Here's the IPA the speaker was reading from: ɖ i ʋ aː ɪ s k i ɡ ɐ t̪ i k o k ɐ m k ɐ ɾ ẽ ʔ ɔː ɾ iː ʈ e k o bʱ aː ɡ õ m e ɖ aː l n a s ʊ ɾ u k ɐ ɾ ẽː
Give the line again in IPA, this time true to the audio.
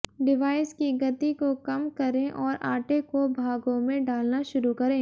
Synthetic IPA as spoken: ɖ ɪ ʋ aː ɪ s k i ɡ ɐ t̪ i k o k ɐ m k ɐ ɾ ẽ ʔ ɔː ɾ aː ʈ e k o bʱ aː ɡ õ m ẽ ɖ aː l n a ʃ ʊ ɾ u k ɐ ɾ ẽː